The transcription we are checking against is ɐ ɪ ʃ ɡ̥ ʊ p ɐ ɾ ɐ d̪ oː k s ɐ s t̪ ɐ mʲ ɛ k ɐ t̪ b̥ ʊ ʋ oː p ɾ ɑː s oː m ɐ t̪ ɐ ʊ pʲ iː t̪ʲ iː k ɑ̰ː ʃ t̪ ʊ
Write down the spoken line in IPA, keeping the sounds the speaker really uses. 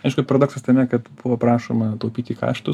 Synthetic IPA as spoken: ɐ ɪ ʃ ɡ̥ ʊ p ɐ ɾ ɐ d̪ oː k s ɐ s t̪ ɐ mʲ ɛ k ɐ t̪ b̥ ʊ ʋ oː p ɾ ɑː ʃ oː m ɐ t̪ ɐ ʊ pʲ iː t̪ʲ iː k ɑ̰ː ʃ t̪ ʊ